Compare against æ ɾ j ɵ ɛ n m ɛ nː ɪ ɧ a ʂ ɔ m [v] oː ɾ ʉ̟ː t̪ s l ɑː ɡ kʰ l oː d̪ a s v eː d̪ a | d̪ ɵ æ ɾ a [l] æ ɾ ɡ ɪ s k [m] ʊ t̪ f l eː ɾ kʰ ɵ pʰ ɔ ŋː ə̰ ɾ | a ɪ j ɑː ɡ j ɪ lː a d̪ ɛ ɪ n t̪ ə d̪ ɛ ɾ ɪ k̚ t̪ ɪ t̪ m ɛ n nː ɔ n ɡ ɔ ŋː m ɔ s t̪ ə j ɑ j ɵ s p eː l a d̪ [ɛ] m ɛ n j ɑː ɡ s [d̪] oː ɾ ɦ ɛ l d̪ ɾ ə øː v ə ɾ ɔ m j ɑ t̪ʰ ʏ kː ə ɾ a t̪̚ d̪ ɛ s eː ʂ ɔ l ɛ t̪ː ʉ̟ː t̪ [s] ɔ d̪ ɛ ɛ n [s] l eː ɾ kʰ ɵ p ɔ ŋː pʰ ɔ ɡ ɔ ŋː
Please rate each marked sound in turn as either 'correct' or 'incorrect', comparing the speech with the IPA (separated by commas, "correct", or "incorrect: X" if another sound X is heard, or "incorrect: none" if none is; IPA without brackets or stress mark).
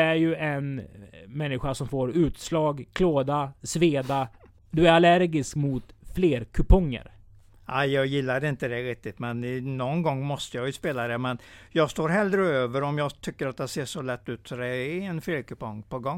incorrect: f, correct, correct, correct, incorrect: t̪, correct, incorrect: f